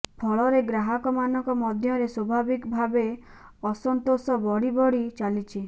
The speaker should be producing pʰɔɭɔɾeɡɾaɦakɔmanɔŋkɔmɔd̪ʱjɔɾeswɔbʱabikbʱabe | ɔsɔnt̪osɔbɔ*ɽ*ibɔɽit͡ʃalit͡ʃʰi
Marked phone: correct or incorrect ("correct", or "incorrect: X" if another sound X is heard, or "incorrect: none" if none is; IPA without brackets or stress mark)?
correct